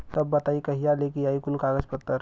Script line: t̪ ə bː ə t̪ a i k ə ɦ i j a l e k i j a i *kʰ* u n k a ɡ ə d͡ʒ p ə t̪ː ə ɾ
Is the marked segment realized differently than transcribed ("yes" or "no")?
yes